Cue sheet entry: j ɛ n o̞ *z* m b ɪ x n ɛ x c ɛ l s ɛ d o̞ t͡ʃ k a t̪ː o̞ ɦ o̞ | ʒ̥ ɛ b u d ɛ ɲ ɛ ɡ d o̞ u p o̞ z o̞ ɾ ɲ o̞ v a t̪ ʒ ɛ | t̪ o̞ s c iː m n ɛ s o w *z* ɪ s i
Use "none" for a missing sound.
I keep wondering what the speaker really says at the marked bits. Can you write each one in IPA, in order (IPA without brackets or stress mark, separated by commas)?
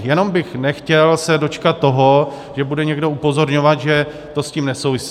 none, v